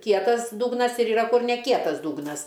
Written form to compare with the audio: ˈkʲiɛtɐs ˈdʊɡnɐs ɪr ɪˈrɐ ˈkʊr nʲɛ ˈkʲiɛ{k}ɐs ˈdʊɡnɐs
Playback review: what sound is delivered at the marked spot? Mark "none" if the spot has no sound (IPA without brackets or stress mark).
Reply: t